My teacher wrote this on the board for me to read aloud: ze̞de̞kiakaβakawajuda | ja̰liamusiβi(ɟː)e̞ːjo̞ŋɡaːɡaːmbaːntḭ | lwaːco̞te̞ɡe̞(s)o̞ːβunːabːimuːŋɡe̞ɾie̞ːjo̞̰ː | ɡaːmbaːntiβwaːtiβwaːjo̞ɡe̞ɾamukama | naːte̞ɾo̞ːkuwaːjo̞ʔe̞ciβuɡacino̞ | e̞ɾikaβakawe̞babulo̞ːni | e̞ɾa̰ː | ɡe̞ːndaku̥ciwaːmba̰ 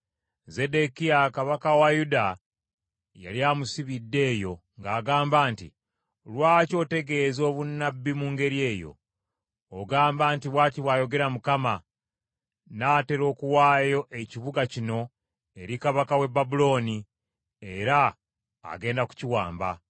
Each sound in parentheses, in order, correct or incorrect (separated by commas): incorrect, incorrect